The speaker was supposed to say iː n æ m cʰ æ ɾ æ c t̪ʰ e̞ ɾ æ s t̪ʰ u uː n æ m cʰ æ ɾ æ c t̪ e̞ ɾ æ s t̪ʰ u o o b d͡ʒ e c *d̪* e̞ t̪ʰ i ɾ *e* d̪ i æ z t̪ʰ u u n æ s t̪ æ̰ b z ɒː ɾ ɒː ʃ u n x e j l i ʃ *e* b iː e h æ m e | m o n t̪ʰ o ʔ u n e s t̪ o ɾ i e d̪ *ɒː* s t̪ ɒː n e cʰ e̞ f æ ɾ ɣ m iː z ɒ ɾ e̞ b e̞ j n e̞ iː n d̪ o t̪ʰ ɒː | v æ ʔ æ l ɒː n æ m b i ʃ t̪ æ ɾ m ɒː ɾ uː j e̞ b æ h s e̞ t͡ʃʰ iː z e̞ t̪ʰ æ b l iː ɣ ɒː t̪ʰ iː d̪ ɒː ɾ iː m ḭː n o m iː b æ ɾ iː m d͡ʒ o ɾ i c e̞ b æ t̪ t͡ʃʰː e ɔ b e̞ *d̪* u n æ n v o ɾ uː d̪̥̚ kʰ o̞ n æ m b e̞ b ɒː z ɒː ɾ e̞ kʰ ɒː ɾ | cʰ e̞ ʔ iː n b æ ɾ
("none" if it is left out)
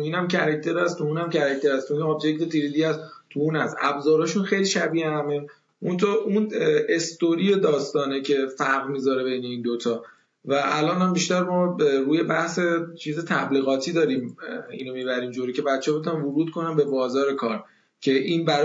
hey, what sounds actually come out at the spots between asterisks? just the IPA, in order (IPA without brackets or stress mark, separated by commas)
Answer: t̪, i, æ, ɒː, t̪